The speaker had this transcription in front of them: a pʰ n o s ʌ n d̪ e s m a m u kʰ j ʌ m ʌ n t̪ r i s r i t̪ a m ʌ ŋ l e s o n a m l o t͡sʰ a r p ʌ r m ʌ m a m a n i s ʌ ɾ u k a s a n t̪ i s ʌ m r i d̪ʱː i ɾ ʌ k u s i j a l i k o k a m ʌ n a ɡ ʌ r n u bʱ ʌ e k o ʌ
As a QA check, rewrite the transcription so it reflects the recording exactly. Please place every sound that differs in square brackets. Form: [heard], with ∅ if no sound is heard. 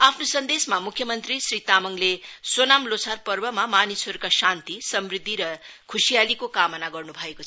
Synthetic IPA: a pʰ n o s ʌ n d̪ e s m a m u kʰ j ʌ m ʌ n t̪ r i s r i t̪ a m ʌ ŋ l e s o n a m l o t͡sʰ a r p ʌ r [b] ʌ m a m a n i s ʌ ɾ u k a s a n t̪ i s ʌ m r i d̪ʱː i ɾ ʌ [kʰ] u s i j a l i k o k a m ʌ n a ɡ ʌ r n u bʱ ʌ e k o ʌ